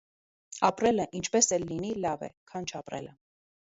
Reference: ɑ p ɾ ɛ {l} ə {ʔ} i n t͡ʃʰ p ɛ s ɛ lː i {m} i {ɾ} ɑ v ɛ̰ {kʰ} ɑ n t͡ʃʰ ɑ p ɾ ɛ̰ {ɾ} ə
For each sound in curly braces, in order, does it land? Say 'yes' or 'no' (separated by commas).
yes, yes, no, no, yes, no